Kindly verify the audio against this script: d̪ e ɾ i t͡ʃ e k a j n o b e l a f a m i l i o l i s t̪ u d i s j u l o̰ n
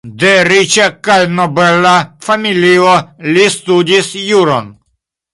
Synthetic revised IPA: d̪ e ɾ i t͡ʃ a k a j n o b e l a f a m i l i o l i s t̪ u d i s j u ɾ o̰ n